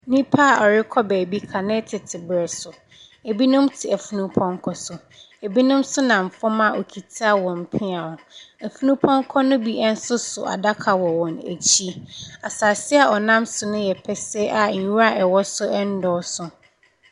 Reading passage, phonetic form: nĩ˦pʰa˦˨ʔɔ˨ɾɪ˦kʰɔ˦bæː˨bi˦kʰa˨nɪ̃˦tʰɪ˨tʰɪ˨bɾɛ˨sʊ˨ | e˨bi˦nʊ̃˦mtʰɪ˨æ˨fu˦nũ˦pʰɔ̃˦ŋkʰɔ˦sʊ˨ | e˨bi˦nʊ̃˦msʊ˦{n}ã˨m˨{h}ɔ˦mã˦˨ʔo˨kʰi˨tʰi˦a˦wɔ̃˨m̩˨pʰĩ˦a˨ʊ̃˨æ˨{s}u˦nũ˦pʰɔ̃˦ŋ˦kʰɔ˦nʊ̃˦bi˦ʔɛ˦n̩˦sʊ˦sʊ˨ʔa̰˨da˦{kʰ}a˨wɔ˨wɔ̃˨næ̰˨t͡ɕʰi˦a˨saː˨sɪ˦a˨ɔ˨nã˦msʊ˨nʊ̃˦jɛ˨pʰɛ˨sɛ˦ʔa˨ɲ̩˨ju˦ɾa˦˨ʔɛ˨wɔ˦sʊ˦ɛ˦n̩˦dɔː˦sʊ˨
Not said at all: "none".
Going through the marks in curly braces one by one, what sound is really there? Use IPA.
n, f, f, kʰ

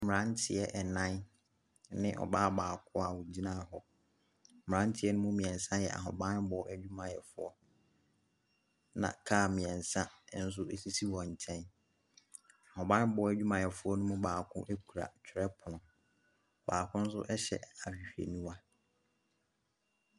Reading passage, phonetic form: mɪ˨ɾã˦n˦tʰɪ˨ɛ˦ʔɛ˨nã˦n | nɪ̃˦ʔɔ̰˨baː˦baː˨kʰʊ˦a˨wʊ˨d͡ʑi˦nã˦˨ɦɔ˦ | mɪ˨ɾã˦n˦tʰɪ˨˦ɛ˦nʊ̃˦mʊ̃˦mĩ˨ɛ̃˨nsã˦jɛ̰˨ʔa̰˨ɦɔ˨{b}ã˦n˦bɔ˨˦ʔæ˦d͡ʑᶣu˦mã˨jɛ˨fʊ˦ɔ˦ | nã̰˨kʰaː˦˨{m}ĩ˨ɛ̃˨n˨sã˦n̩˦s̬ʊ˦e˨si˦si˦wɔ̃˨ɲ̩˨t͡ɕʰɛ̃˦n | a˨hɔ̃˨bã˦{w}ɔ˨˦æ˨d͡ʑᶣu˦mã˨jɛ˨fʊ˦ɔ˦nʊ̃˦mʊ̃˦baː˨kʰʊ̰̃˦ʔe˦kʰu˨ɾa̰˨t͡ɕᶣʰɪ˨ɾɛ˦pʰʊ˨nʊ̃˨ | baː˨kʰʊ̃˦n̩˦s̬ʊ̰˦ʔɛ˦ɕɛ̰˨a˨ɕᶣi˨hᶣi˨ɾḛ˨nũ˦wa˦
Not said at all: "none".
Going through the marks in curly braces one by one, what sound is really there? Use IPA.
b, m, b

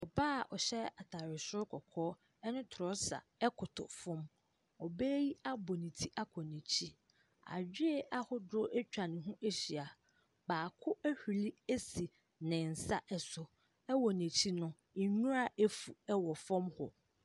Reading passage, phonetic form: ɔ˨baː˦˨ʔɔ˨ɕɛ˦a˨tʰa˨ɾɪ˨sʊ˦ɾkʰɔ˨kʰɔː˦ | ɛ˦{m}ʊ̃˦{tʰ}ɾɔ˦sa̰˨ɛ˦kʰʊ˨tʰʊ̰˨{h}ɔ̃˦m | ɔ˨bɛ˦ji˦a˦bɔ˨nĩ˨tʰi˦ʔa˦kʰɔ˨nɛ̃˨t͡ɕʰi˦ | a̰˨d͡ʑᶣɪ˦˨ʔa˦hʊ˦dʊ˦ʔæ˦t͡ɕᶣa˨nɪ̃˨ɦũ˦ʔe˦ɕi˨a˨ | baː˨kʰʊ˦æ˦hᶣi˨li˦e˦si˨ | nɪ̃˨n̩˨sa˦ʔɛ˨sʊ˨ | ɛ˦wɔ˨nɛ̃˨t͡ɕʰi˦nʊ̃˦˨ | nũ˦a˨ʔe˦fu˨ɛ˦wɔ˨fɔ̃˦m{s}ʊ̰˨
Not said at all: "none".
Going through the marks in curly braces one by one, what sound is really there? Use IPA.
n, tʰ, f, h

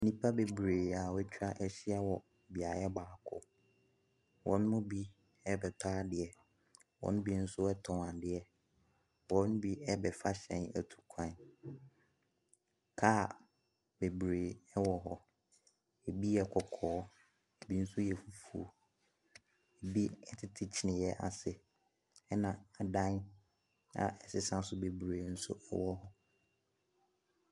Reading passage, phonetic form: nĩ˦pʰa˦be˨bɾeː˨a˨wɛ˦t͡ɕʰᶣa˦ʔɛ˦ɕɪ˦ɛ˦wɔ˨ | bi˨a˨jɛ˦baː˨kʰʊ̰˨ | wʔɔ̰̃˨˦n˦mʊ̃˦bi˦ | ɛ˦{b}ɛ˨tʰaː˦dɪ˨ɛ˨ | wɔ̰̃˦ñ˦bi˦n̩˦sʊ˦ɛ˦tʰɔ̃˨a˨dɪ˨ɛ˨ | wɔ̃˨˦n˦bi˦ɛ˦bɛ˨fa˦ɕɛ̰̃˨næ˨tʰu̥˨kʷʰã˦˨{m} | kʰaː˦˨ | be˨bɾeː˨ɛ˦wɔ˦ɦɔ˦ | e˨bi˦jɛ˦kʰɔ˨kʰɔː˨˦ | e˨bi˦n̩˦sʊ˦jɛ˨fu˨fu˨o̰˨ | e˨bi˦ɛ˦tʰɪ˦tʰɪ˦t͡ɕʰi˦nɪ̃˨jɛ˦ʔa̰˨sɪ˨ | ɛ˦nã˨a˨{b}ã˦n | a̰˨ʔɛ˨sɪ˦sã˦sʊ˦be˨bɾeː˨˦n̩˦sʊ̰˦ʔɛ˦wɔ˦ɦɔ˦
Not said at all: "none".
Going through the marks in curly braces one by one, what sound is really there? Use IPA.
b, n, d

